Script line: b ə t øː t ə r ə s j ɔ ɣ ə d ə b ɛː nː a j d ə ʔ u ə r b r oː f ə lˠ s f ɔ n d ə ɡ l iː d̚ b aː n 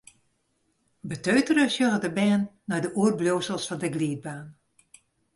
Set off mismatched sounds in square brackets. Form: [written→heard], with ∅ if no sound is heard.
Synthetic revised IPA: b ə t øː t ə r ə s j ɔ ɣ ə d ə b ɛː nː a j d ə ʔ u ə r b [r→l] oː [f→s] ə lˠ s f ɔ n d ə ɡ l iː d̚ b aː n